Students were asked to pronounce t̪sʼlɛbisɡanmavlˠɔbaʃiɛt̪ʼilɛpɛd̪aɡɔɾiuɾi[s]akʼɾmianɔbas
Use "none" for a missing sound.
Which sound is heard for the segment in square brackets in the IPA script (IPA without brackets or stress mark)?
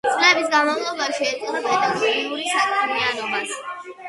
s